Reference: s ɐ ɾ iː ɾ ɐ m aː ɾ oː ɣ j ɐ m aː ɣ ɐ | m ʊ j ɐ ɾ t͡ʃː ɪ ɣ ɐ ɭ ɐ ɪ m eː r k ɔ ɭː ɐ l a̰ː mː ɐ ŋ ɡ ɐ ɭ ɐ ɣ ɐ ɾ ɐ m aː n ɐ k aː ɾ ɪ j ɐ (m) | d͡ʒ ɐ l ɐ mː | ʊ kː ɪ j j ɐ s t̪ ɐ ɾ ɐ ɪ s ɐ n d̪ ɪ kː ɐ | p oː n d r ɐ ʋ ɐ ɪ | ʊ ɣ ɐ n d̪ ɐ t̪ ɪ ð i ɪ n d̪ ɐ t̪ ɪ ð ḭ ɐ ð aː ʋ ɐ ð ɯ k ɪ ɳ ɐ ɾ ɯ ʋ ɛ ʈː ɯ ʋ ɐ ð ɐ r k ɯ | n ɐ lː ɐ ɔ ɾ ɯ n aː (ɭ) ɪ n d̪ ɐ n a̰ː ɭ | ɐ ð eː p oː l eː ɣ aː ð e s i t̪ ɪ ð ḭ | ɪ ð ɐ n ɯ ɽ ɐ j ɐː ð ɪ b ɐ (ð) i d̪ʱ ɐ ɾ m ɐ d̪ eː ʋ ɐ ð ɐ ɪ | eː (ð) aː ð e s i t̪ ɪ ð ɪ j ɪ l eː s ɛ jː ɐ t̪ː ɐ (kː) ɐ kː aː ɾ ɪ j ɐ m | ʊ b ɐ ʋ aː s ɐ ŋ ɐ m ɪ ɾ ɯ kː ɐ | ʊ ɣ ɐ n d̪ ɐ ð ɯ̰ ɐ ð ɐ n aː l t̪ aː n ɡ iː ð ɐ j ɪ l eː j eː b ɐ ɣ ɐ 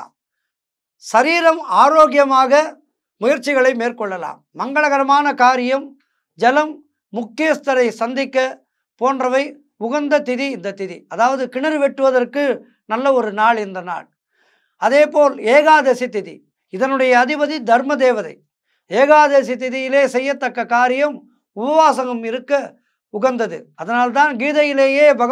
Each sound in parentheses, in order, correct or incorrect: correct, correct, correct, incorrect: ɣ, correct

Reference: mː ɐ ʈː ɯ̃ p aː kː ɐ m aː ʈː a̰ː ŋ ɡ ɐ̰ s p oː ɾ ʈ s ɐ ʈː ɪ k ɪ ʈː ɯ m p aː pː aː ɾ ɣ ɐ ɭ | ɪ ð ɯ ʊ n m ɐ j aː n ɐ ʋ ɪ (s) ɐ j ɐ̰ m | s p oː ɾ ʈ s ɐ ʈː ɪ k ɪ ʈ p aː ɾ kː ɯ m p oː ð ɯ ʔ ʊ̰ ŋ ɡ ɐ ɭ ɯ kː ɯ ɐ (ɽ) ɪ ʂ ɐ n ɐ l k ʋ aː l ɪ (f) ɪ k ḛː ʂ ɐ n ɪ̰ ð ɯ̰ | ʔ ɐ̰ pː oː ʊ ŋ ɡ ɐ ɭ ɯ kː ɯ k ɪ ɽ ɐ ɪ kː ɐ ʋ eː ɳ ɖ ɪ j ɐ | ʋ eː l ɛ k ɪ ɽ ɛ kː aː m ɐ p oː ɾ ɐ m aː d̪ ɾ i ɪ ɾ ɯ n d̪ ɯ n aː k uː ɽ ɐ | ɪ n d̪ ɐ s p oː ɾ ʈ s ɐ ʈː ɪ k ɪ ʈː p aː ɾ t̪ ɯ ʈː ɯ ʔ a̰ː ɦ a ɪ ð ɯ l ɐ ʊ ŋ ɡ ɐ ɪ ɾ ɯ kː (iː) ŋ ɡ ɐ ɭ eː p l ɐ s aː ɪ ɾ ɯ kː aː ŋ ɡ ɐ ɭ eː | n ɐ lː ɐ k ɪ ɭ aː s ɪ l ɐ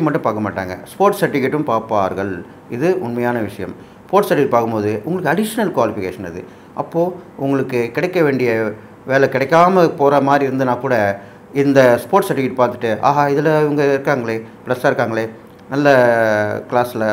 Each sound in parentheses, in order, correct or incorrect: incorrect: ʂ, correct, correct, incorrect: aː

